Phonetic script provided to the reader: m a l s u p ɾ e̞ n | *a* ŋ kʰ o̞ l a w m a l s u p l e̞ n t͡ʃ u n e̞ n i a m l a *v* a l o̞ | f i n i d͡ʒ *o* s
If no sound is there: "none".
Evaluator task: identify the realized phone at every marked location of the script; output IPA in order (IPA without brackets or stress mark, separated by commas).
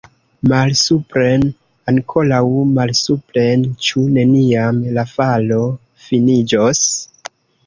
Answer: a, f, o